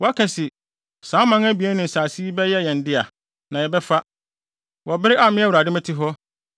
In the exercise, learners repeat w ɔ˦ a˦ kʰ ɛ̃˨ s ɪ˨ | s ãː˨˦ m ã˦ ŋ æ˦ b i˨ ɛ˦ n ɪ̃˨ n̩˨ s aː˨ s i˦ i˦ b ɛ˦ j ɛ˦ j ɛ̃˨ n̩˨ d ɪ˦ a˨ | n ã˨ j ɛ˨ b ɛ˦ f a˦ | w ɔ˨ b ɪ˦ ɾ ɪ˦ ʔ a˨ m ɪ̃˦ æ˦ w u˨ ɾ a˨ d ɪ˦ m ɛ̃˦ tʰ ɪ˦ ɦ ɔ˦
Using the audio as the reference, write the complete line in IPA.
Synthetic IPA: w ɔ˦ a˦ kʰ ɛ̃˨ s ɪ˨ | s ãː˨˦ m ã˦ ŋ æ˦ b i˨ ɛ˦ n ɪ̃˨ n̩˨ s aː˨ s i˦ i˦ b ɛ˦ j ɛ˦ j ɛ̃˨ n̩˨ d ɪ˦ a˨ | n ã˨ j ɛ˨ b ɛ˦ f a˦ | w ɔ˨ b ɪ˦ ɾ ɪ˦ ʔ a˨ m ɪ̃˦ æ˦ w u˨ ɾ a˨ d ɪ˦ m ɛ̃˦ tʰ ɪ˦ ɦ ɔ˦